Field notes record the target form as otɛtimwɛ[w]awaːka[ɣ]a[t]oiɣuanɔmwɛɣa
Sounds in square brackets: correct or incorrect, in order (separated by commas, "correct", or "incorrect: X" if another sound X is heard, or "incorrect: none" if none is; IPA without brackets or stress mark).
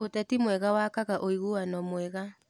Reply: incorrect: ɣ, correct, incorrect: ʔ